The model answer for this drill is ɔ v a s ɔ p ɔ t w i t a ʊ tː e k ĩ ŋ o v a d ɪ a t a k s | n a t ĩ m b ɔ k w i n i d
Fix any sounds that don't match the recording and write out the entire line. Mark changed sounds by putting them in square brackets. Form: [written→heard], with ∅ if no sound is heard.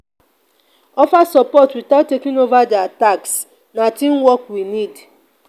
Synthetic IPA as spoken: ɔ [v→f] a s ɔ p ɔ t w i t a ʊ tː e k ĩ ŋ o v a d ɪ a t a k s | n a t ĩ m [b→w] ɔ k w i n i d